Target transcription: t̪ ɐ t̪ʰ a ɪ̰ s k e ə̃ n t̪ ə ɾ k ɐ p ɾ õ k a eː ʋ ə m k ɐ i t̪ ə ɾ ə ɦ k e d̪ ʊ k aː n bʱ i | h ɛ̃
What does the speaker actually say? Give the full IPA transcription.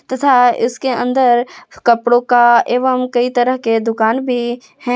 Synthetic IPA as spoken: t̪ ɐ t̪ʰ a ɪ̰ s k e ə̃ n d̪ ə ɾ k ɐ p ɽ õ k a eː ʋ ə m k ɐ i t̪ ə ɾ ə ɦ k e d̪ ʊ k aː n bʱ i | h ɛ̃